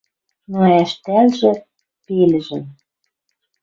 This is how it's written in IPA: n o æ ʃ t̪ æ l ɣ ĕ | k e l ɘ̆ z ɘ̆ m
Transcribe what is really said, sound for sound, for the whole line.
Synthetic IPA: n o æ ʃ t̪ æ l ʒ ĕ | p e l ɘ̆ ʒ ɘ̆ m